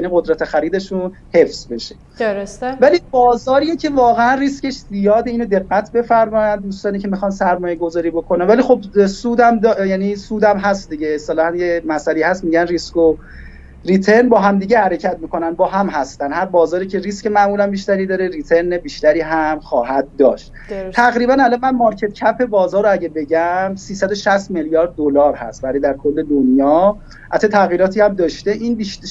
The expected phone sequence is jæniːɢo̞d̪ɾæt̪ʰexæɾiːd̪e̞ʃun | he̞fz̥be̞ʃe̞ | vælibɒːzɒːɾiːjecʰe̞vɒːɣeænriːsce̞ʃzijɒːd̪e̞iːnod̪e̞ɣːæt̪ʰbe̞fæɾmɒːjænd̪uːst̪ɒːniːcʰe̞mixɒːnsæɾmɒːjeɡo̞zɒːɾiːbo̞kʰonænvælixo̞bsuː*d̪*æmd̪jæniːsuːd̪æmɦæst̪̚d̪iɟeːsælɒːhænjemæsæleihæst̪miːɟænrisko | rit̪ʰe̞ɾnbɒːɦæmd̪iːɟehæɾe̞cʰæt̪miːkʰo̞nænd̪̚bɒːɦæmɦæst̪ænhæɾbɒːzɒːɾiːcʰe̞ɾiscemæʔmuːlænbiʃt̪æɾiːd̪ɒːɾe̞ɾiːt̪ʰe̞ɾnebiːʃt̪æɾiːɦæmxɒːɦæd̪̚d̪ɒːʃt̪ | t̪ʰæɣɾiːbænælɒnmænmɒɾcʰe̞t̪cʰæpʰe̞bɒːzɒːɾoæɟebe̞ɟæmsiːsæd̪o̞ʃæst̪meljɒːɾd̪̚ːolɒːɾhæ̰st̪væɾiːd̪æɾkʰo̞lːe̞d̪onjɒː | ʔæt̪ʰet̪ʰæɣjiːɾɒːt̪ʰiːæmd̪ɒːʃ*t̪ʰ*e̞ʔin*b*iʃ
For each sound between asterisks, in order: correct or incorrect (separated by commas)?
correct, incorrect, correct